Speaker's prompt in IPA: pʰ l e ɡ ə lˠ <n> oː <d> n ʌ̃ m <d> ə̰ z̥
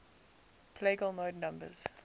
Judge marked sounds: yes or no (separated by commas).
no, yes, no